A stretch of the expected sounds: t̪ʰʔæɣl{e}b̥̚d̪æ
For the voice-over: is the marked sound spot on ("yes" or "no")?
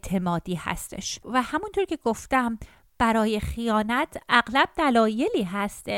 no